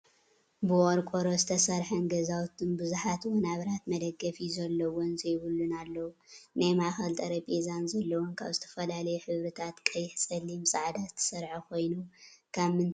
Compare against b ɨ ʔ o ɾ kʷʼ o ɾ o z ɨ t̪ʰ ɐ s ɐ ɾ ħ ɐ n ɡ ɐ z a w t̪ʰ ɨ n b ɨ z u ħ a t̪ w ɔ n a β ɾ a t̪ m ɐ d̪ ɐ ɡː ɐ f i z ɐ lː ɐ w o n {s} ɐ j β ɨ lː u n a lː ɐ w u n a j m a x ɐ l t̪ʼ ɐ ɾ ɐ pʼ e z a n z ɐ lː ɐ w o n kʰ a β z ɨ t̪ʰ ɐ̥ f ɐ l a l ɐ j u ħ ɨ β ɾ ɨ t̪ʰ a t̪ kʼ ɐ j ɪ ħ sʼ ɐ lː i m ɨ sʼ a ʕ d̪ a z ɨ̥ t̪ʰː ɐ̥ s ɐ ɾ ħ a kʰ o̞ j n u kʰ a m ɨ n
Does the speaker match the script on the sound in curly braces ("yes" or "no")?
no